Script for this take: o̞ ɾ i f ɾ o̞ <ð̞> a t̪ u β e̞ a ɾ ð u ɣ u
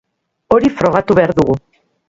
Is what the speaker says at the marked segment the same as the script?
no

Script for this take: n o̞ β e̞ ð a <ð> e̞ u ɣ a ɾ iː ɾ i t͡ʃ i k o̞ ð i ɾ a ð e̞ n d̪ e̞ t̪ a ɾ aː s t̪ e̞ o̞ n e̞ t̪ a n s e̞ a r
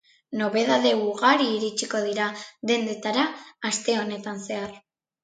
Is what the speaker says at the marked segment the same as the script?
yes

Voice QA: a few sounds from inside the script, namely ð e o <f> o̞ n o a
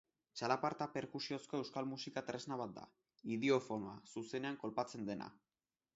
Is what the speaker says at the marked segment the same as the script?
yes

